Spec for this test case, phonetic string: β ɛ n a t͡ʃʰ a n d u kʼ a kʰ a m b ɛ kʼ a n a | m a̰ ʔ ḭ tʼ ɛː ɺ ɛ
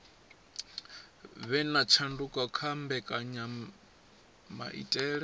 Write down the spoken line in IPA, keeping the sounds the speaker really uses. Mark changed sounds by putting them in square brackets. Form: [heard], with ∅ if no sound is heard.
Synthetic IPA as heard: β ɛ n a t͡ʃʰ a n d u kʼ a kʰ a m b ɛ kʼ a [ɲ] a | m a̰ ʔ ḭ tʼ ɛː ɺ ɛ